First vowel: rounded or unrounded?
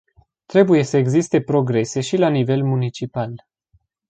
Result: unrounded